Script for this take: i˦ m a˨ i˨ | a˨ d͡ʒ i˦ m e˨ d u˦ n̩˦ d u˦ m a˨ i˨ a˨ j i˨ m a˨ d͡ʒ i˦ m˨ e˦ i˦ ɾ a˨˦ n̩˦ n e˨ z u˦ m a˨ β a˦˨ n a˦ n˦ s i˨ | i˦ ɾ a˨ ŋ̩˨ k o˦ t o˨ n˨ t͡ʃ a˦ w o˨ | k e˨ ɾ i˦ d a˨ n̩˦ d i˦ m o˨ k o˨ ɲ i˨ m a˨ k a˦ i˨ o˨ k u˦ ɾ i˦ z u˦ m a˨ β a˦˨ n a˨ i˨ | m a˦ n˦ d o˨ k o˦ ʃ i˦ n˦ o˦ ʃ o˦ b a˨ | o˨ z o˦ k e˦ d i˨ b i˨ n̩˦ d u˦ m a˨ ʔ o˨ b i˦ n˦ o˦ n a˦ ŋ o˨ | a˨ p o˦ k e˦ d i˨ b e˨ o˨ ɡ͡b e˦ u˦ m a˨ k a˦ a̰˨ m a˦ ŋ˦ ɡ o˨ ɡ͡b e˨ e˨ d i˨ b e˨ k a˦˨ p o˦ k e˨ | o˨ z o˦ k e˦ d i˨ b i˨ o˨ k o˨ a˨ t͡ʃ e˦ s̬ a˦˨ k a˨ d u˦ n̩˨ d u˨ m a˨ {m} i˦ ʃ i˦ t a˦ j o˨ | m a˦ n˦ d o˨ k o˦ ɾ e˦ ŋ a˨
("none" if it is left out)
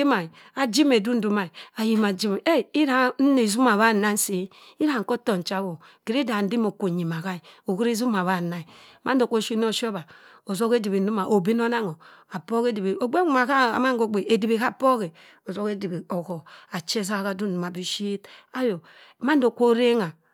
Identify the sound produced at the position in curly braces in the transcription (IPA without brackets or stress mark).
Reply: b